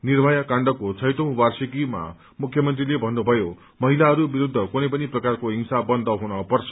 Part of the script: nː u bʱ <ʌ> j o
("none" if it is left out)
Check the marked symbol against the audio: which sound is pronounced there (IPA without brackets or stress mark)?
ʌ